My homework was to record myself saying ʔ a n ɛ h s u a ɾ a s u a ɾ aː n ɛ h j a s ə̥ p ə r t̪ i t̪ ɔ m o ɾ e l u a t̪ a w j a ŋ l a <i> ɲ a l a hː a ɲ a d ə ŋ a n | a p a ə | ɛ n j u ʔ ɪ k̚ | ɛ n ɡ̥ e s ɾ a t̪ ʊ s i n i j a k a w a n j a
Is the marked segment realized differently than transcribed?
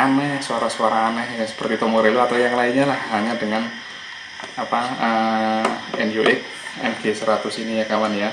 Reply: no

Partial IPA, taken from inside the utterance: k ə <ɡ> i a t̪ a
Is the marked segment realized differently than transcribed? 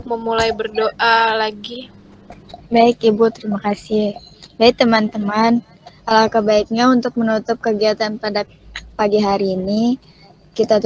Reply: no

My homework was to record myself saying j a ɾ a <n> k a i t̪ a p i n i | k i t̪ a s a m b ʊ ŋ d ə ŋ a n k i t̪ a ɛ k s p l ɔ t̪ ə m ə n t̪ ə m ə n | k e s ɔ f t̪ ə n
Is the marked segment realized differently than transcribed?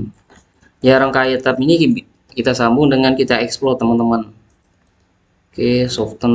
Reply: yes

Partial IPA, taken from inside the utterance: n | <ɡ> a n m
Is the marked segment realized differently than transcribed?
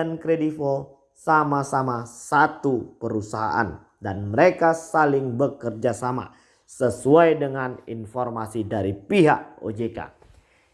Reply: yes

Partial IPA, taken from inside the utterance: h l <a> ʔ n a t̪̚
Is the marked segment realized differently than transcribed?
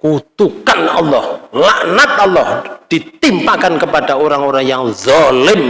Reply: no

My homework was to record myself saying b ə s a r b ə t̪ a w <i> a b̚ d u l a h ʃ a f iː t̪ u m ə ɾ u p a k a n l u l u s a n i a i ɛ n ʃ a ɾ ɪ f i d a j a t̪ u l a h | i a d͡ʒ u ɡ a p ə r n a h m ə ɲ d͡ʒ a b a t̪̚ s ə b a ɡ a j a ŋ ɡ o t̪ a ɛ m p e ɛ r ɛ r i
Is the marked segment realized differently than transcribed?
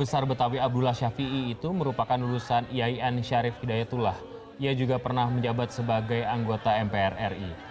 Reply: no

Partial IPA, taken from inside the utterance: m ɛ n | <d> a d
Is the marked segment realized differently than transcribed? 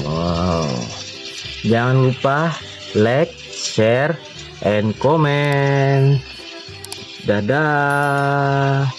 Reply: no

